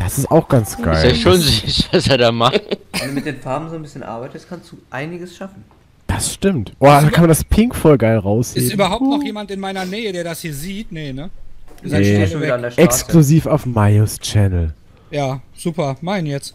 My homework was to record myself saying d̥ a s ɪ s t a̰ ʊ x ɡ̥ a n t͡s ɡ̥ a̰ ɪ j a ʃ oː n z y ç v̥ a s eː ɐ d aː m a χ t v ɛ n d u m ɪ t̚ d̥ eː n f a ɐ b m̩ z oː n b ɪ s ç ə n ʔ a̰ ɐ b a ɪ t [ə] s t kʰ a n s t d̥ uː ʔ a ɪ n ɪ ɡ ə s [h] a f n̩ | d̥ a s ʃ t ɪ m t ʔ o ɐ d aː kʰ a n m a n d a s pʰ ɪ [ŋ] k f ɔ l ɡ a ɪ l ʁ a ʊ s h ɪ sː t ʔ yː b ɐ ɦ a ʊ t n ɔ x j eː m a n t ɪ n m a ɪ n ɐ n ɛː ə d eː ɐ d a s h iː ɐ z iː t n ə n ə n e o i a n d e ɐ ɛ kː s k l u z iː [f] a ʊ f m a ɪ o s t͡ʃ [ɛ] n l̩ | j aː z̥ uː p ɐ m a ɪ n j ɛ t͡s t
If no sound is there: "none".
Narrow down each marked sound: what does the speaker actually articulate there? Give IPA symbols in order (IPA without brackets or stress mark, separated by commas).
ə, ʃ, ŋ, f, ɛ